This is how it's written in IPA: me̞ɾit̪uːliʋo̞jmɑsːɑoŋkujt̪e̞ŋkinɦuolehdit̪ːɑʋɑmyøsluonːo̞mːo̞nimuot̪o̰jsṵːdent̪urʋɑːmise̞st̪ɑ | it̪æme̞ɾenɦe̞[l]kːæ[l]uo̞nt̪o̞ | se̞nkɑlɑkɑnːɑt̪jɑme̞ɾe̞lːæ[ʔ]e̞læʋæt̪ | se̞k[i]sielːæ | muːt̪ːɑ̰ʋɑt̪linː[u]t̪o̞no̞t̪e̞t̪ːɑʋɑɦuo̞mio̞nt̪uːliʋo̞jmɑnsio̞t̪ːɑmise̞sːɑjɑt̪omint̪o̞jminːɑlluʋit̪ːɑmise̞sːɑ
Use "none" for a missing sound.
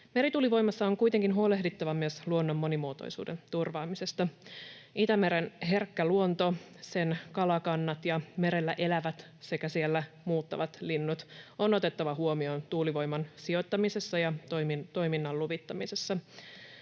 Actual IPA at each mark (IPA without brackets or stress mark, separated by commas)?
r, l, ʔ, æ, u